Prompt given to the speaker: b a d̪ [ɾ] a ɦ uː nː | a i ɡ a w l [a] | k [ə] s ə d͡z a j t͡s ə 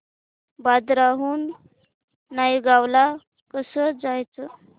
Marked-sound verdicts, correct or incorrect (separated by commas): correct, correct, correct